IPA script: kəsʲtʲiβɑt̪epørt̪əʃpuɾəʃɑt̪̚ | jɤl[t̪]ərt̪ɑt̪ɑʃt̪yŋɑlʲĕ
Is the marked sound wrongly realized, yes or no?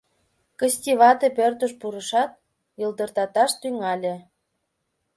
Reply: yes